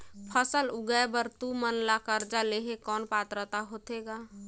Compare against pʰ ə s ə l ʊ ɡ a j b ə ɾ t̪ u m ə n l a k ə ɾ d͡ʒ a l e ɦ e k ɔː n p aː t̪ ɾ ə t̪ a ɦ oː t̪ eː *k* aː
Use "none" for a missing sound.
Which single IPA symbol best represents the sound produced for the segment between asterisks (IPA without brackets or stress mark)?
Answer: ɡ